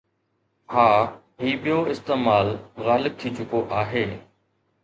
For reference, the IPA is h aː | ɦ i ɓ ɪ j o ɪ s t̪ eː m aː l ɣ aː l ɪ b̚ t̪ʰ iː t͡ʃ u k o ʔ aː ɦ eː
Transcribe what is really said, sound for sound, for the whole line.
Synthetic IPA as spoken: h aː | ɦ iː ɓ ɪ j o ɪ s t̪ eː m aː l ɣ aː l ɪ b̚ t̪ʰ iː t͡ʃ ʊ k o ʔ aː ɦ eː